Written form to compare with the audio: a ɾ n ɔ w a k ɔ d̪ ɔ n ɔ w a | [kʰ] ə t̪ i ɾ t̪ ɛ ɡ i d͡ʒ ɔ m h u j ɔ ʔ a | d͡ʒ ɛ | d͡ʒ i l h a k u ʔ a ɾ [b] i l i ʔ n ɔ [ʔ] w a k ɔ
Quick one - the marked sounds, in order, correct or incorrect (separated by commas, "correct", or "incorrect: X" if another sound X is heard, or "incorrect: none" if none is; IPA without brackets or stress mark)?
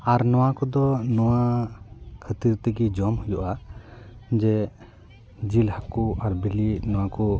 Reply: correct, correct, incorrect: none